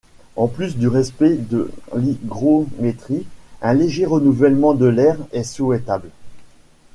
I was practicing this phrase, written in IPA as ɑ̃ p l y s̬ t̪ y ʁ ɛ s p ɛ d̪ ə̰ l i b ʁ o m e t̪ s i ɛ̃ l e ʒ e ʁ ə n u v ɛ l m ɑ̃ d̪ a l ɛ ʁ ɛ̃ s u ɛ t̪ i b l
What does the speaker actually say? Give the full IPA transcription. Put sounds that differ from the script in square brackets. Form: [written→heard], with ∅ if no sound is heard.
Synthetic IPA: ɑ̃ p l y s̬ [t̪→d̪] y ʁ ɛ s p ɛ d̪ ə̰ l i [b→ɡ] ʁ o m e t̪ [s→χ] i ɛ̃ l e ʒ e ʁ ə n u v ɛ l m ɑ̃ d̪ [a→ə] l ɛ ʁ [ɛ̃→ɛ] s u ɛ t̪ [i→a] b l